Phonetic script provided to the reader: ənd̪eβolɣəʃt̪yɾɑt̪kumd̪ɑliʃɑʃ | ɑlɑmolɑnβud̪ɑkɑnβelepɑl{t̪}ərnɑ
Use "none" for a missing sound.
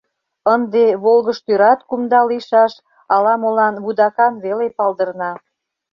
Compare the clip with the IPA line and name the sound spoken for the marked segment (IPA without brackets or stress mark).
d̪